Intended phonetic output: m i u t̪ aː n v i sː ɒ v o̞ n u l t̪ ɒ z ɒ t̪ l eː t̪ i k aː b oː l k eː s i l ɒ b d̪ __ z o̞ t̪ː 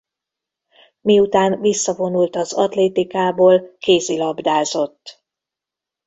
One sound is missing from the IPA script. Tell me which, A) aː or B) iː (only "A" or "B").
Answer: A